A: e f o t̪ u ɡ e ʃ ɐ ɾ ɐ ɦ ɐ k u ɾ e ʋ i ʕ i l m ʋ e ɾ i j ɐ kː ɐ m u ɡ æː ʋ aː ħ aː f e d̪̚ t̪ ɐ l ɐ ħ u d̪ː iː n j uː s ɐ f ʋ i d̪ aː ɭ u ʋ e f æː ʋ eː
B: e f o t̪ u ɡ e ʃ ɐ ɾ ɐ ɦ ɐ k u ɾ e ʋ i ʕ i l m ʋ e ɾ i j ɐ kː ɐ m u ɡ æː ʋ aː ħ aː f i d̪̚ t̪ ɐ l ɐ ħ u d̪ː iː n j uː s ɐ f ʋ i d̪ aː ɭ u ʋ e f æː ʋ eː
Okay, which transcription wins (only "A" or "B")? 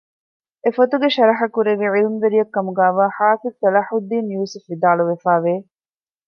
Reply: B